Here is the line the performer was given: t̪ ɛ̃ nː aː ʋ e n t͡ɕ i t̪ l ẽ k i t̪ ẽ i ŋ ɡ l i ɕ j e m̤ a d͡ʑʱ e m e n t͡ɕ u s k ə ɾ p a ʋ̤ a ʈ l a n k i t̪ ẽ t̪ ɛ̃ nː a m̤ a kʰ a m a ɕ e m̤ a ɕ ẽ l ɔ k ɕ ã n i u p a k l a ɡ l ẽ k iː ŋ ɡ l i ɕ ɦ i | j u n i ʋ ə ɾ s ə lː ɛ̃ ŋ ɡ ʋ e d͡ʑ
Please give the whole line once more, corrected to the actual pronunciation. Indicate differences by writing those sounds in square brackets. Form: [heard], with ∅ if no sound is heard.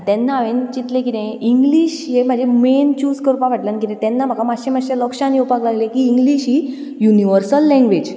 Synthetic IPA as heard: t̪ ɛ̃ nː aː ʋ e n t͡ɕ i t̪ l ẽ k i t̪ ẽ i ŋ ɡ l i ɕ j e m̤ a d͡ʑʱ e m e n t͡ɕ u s k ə ɾ p a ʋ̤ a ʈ l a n k i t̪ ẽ t̪ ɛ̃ nː a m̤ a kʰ a m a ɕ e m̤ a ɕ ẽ l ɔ k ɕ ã n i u p a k l a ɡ l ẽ k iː ŋ ɡ l i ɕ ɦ i | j u n i ʋ ə ɾ s ə lː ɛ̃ ŋ ɡ ʋ e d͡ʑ